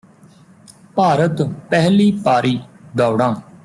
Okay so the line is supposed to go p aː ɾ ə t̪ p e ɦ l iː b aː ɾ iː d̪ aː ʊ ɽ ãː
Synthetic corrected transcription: p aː ɾ ə t̪ p ɛ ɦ l iː p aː ɾ iː d̪ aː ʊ ɽ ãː